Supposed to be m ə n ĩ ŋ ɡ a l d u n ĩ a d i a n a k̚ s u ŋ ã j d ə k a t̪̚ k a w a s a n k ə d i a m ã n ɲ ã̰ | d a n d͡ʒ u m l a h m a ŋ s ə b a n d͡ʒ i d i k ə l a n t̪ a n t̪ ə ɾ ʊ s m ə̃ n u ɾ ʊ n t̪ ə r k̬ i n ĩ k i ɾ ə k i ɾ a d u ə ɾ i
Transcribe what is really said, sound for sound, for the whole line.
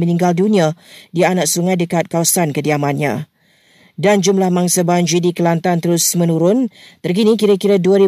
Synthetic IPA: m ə n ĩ ŋ ɡ a l d u n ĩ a d i a n a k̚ s u ŋ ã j d ə k a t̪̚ k a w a s a n k ə d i a m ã n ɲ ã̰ | d a n d͡ʒ u m l a h m a ŋ s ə b a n d͡ʒ i d i k ə l a n t̪ a n t̪ ə ɾ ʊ s m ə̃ n u ɾ ʊ n t̪ ə r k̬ i n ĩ k i ɾ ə k i ɾ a d u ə ɾ i